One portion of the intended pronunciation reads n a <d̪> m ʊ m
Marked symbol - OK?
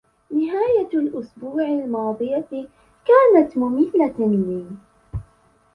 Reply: no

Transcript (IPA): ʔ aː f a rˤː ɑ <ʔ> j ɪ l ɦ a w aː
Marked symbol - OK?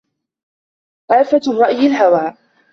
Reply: yes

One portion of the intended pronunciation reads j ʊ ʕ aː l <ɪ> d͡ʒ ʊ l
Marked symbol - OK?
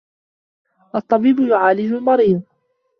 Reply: yes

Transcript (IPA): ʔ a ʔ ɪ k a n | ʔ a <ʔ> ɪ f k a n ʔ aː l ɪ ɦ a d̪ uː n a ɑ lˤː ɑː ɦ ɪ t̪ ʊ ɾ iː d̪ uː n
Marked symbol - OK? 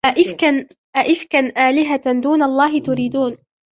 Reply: yes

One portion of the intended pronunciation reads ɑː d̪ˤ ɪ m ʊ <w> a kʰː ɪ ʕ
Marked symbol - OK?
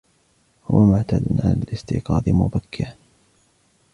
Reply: no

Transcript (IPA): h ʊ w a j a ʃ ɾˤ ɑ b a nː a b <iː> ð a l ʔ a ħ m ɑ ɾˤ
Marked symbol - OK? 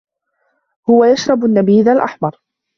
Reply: yes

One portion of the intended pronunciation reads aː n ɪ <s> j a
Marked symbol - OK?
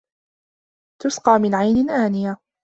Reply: no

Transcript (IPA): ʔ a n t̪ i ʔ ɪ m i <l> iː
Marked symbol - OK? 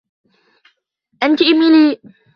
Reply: yes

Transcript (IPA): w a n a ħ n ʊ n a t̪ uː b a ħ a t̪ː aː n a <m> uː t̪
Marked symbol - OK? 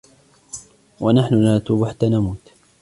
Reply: yes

